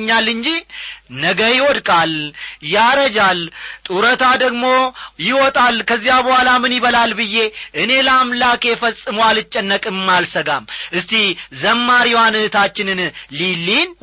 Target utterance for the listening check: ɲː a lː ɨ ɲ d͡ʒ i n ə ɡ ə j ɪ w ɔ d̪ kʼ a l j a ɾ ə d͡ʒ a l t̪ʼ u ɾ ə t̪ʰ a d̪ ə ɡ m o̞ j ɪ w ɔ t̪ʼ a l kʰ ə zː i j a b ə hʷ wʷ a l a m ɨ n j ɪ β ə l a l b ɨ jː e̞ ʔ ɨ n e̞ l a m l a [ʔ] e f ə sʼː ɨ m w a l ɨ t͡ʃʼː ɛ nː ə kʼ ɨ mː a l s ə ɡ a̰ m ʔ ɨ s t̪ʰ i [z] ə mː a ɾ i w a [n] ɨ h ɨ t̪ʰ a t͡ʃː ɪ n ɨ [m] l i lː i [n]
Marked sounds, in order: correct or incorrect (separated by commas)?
incorrect, correct, correct, incorrect, correct